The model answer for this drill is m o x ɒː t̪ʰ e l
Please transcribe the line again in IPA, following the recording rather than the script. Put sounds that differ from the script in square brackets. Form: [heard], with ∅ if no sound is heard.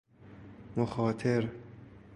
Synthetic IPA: m o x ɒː t̪ʰ e [ɾ]